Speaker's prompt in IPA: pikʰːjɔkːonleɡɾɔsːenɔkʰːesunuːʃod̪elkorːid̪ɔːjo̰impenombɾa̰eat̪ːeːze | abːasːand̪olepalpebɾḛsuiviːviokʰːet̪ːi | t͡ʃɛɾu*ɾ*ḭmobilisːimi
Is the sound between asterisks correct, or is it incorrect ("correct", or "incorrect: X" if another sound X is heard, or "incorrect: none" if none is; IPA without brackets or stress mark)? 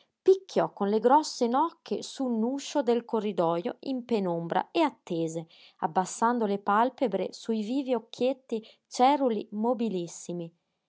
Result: incorrect: l